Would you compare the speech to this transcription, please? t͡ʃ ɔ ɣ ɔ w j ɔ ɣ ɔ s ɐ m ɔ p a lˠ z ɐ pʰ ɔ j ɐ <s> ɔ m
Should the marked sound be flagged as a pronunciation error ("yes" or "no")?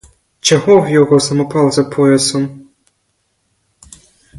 no